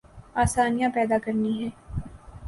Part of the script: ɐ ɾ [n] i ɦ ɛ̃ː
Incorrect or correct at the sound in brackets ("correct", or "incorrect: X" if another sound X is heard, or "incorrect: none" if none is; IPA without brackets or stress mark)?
correct